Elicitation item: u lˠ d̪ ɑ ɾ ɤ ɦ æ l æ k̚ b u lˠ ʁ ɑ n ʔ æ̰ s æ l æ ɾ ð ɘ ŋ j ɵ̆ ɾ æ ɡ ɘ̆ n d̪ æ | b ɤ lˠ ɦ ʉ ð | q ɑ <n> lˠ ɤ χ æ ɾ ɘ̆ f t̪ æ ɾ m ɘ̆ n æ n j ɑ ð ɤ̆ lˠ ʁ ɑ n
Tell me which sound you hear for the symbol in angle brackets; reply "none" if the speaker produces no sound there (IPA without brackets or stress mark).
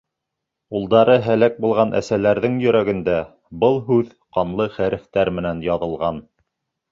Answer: n